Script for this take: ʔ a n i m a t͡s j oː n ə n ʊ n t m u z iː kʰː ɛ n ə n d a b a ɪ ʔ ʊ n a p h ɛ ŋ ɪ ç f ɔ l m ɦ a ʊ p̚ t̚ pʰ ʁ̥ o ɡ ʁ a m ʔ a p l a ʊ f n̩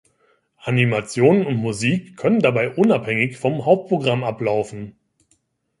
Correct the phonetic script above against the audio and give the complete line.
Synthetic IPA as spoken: ʔ a n i m a t͡s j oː n ə n ʊ n t m u z iː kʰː œ n ə n d a b a ɪ ʔ ʊ n a p h ɛ ŋ ɪ ç f ɔ m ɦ a ʊ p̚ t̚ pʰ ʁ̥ o ɡ ʁ a m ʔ a p l a ʊ f n̩